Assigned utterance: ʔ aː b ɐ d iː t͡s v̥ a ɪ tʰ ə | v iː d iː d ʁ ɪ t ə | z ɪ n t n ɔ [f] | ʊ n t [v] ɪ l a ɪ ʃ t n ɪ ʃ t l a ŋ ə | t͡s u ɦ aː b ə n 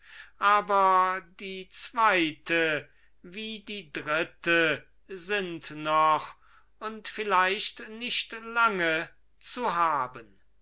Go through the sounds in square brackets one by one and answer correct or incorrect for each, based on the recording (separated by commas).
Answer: incorrect, incorrect